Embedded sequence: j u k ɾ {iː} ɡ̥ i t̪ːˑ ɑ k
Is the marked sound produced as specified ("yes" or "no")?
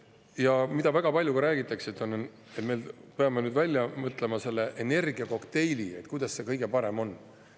no